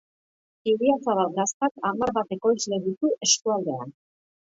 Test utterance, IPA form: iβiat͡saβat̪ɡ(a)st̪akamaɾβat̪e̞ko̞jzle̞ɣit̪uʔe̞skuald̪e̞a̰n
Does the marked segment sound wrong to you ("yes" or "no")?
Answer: no